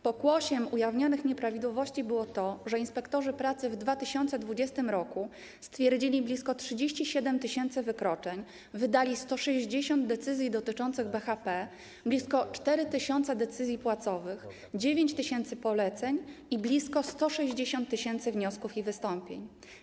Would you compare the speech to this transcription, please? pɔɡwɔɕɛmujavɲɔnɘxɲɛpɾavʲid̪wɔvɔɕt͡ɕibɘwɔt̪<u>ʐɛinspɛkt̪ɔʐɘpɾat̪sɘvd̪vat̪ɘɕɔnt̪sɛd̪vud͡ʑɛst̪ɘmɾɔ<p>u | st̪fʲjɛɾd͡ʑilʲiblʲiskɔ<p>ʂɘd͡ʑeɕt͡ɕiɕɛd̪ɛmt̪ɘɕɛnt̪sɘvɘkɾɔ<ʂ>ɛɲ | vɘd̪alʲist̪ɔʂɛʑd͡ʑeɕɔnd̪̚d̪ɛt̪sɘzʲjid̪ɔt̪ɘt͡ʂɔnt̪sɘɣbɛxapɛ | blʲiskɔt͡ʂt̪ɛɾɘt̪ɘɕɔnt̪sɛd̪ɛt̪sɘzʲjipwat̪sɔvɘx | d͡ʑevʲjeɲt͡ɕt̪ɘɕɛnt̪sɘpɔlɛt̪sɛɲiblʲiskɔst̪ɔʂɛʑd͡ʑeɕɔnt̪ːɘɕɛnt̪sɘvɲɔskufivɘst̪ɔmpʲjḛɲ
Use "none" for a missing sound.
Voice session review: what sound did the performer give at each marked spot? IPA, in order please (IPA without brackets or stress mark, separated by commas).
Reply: ɔ, k, t, t͡ʂ